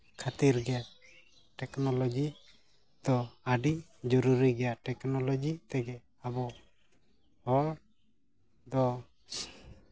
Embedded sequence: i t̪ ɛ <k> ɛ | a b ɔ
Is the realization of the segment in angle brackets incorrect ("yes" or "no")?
yes